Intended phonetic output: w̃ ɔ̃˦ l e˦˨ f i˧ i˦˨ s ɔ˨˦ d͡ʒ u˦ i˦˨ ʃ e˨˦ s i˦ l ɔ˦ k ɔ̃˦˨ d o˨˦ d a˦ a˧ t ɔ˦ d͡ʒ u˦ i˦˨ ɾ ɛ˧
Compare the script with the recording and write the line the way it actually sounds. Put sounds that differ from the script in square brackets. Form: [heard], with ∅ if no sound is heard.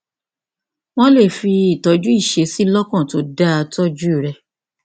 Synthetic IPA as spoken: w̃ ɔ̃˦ l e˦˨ f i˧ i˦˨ [t] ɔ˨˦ d͡ʒ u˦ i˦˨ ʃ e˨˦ s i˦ l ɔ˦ k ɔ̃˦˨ [t] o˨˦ d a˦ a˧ t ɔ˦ d͡ʒ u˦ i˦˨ ɾ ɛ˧